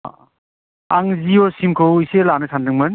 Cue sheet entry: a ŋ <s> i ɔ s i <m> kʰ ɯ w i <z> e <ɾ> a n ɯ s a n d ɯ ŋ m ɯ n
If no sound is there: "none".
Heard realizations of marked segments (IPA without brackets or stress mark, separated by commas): z, m, s, l